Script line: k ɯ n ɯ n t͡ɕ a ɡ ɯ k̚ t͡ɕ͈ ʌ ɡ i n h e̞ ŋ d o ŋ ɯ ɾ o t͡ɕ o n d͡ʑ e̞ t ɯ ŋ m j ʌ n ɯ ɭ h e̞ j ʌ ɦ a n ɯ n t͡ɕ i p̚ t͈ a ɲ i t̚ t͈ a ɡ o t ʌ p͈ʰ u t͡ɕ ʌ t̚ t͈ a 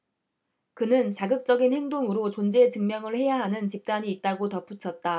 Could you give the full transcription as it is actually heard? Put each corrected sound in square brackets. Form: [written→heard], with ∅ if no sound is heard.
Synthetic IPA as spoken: k ɯ n ɯ n t͡ɕ a ɡ ɯ k̚ t͡ɕ͈ ʌ ɡ i n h e̞ ŋ d o ŋ ɯ ɾ o t͡ɕ o n d͡ʑ e̞ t ɯ ŋ m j ʌ [n→ŋ] ɯ ɭ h e̞ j [ʌ→a] ɦ a n ɯ n t͡ɕ i p̚ t͈ a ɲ [i→iː] t̚ t͈ a ɡ o t ʌ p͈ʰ u [t͡ɕ→t͡ɕʰ] ʌ t̚ t͈ a